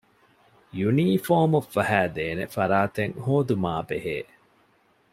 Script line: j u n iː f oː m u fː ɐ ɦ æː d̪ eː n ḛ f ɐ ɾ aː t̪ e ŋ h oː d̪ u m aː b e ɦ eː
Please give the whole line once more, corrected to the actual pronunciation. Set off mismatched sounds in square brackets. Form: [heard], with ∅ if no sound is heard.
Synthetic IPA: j u n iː f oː m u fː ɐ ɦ æː d̪ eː n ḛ f ɐ ɾ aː t̪ e ŋ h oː d̪ u m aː b e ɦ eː